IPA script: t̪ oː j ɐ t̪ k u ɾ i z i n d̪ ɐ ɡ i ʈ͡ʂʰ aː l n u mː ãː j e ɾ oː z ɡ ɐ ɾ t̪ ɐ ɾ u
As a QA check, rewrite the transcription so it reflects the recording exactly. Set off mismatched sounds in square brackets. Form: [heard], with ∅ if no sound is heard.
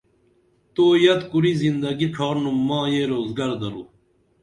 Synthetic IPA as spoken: t̪ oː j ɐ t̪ k u ɾ i z i n d̪ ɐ ɡ i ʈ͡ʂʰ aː [ɾ] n u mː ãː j e ɾ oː z ɡ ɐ ɾ [d̪] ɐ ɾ u